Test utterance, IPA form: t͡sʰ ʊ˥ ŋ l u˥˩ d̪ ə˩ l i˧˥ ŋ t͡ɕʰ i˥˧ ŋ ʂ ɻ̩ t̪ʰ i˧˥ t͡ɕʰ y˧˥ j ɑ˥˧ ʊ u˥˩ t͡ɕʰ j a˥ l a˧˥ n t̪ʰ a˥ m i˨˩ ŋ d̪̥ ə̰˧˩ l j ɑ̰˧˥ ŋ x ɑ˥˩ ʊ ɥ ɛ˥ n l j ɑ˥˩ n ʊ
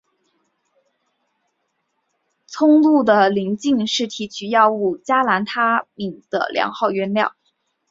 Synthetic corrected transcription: t͡sʰ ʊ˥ ŋ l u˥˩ d̪ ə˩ l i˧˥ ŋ t͡ɕ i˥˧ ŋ ʂ ɻ̩ t̪ʰ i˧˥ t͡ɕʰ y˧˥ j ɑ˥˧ ʊ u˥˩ t͡ɕ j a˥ l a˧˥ n t̪ʰ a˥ m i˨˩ ŋ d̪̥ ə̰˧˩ l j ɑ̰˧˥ ŋ x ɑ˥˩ ʊ ɥ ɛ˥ n l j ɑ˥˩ ʊ